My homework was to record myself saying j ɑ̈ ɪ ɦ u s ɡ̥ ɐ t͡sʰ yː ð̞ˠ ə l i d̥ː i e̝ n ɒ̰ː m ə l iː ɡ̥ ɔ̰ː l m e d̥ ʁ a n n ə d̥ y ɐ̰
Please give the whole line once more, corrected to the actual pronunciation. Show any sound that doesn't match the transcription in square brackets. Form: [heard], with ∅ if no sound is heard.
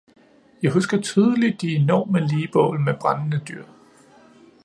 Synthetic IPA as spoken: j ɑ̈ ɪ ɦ u s ɡ̥ ɐ t͡sʰ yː ð̞ˠ ə l i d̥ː i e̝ n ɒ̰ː m ə l iː [b̥] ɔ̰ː l m e [b̥] ʁ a n n ə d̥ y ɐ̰